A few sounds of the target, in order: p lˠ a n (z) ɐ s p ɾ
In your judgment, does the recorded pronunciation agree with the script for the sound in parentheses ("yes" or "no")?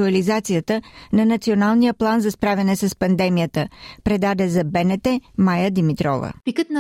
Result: yes